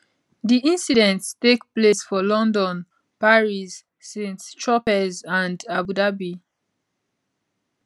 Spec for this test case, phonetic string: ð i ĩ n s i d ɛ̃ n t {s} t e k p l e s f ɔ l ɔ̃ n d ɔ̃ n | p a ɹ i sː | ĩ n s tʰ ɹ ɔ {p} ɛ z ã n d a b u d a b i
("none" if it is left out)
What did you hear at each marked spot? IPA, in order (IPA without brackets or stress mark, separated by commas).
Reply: s, p